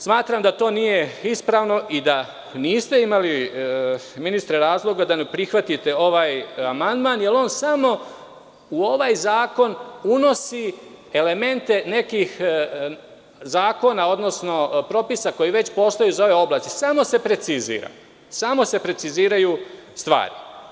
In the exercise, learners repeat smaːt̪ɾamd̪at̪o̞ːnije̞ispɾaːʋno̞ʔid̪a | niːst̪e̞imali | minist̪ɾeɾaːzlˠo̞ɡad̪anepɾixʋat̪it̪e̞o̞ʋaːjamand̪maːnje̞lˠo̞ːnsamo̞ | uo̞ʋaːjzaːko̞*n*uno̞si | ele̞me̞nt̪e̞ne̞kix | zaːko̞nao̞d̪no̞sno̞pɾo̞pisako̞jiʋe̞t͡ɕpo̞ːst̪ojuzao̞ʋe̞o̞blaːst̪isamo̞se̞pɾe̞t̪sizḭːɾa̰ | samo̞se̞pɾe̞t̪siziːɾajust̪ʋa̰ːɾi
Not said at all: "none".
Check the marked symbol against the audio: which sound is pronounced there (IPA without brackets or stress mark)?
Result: n